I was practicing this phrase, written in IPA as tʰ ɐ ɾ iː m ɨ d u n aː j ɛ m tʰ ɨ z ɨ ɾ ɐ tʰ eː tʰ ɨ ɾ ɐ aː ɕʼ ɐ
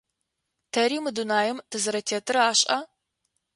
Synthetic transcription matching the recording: tʰ ɐ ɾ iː m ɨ d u n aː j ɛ m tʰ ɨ z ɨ ɾ ɐ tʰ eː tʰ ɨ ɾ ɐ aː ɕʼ ɐ